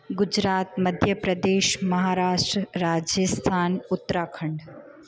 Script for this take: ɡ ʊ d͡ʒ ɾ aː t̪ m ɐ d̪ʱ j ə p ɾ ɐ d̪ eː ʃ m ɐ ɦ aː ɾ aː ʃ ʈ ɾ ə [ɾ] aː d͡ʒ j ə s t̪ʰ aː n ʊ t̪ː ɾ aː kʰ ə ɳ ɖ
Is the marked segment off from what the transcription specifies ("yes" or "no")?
no